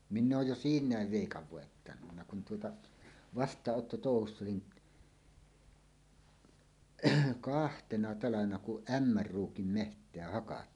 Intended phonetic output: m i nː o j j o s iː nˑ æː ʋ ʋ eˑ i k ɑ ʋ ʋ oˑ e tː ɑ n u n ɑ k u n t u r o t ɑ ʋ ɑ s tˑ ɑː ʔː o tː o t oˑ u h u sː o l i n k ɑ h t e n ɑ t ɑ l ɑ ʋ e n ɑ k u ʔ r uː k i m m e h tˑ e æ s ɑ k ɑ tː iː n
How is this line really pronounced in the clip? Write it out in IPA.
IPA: m i nː oː j j o s iː nˑ æː ʋ ʋ eˑ i k ɑ ʋ ʋ oˑ e tː ɑ n u nː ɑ k u n t u o t ɑ ʋ ɑ s tˑ ɑː ʔː o tː o t oˑ u h u sː o l i n k ɑ h t e n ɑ t ɑ l ɑ ʋ e n ɑ k u ʔ r uː k i m m e h tˑ e æ h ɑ k ɑ tː iː n